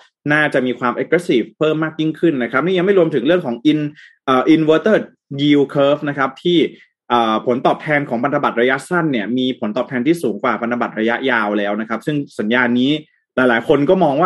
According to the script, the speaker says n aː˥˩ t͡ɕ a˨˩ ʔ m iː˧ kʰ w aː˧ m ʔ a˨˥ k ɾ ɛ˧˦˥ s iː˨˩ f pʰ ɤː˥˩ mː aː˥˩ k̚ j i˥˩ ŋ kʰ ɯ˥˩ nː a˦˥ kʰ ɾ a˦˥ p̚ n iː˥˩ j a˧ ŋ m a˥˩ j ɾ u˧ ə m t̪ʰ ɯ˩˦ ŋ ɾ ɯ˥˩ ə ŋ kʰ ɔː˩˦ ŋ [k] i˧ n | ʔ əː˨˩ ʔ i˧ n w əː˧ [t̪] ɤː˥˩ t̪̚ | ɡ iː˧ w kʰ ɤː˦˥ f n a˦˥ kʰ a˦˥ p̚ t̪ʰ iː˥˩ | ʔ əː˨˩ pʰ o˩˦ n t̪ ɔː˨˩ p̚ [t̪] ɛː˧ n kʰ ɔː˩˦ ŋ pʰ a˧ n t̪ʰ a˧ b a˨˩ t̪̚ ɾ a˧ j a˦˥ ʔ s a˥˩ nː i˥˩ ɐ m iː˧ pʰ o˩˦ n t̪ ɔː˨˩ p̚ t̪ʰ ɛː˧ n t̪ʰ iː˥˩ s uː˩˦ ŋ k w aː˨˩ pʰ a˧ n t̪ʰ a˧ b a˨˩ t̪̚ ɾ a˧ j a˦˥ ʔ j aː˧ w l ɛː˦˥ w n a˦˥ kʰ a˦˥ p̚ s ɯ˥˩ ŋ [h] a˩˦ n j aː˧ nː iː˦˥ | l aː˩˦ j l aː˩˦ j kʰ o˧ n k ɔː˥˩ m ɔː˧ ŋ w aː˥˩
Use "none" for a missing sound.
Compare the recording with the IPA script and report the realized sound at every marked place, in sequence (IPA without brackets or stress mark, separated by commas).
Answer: ʔ, t̪, t̪ʰ, s